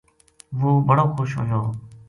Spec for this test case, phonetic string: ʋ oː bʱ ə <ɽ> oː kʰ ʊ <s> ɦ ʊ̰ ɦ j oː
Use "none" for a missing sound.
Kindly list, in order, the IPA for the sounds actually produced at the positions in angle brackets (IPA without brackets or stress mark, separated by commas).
ɽ, ʃ